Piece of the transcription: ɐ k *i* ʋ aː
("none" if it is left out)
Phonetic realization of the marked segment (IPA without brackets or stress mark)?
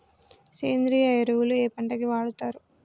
i